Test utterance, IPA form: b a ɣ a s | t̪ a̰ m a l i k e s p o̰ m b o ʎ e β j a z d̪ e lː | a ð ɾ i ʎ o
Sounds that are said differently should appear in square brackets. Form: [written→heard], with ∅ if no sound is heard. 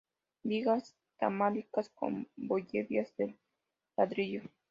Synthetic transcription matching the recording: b [a→i] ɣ a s | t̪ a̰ m a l i k [e→a] s [p→k] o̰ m b o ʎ e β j a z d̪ e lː | a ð ɾ i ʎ o